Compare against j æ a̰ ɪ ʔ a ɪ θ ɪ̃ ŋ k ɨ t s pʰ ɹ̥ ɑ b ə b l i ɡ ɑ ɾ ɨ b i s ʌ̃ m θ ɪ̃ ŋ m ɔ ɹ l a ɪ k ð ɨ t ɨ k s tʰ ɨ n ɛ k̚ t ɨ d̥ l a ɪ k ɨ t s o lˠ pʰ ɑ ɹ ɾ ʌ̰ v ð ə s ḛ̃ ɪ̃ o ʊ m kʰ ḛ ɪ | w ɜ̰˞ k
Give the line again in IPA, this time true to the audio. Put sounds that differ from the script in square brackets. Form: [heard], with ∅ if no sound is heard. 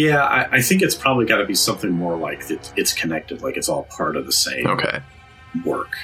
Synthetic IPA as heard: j æ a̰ ɪ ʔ a ɪ θ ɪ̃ ŋ k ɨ t s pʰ ɹ̥ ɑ b ə b l i ɡ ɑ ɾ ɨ b i s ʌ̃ m θ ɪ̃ ŋ m ɔ ɹ l a ɪ k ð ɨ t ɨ [t] s [kʰ] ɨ n ɛ k̚ t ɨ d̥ l a ɪ k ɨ t s [ɔ] lˠ pʰ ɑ ɹ ɾ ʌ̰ v ð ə s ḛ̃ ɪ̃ o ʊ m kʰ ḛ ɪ | w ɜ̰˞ k